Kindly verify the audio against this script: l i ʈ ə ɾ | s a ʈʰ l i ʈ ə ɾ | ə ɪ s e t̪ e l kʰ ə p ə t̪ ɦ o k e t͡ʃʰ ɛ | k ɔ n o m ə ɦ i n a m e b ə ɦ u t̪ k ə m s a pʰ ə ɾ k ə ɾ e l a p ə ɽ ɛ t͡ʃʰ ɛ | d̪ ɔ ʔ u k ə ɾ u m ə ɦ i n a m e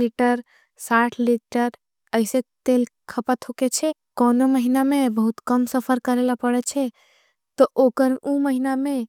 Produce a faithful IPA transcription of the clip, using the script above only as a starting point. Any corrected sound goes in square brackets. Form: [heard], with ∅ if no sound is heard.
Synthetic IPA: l i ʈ ə ɾ | s a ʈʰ l i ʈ ə ɾ | ə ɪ s e t̪ e l kʰ ə p ə t̪ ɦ o k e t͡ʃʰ ɛ | k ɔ n o m ə ɦ i n a m e b ə ɦ u t̪ k ə m s [ə] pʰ ə ɾ k ə ɾ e l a p ə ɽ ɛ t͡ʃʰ ɛ | [t̪] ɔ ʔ [o] k ə ɾ u m ə ɦ i n a m e